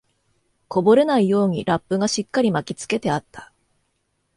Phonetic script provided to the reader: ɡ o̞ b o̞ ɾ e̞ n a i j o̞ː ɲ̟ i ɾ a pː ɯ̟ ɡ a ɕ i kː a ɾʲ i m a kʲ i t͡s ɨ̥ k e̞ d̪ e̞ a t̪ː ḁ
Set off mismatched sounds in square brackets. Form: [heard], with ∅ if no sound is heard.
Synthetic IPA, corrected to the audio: [k] o̞ b o̞ ɾ e̞ n a i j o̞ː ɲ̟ i ɾ a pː ɯ̟ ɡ a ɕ i kː a ɾʲ i m a kʲ i t͡s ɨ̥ k e̞ [t̪] e̞ a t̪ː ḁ